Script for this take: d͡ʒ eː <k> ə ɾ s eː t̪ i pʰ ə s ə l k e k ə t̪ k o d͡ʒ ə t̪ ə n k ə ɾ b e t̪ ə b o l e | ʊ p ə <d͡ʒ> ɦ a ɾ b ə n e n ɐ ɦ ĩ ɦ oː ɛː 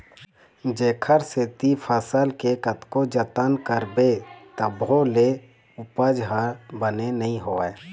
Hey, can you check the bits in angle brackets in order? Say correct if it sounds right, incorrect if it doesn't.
incorrect, correct

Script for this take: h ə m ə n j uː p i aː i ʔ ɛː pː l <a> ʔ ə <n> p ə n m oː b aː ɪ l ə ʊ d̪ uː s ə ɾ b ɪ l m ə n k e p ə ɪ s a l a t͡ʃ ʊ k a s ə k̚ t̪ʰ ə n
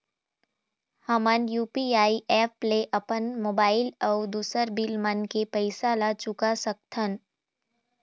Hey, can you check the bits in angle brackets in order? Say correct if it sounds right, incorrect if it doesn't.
incorrect, incorrect

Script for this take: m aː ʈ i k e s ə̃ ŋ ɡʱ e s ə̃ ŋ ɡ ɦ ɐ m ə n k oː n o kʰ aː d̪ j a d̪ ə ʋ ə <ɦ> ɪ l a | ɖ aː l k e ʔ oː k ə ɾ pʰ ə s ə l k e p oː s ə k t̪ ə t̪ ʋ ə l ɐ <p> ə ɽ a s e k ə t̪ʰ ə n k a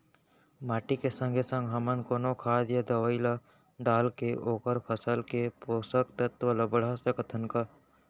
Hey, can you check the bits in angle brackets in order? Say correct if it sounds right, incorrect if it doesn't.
incorrect, incorrect

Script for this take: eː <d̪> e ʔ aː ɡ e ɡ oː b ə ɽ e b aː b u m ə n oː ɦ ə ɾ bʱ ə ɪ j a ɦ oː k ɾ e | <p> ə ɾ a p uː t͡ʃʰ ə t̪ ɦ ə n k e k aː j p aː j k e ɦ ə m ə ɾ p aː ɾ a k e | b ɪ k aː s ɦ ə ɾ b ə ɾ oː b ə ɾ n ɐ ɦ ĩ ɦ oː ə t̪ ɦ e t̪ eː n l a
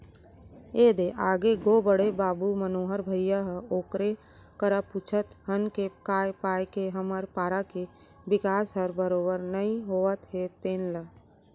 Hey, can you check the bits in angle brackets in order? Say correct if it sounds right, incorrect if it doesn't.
correct, incorrect

